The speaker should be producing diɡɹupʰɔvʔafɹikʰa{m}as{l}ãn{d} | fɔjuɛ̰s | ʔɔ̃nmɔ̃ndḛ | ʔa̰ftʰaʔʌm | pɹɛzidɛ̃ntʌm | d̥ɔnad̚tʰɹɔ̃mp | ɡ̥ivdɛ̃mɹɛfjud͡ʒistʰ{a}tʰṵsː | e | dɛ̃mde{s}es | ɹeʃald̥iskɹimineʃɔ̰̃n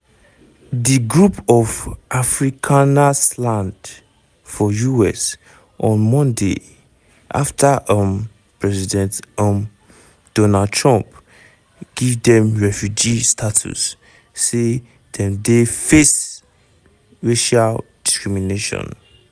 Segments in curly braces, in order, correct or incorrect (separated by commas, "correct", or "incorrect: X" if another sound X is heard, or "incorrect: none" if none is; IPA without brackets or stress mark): incorrect: n, correct, correct, correct, incorrect: f